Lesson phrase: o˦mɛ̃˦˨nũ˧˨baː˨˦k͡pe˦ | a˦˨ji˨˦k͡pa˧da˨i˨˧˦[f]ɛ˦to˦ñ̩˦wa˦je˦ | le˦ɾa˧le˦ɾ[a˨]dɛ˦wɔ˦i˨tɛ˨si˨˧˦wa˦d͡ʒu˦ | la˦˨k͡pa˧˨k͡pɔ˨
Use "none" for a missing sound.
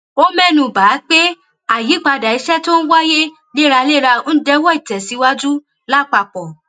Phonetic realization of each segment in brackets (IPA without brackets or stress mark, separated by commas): ʃ, a˧˦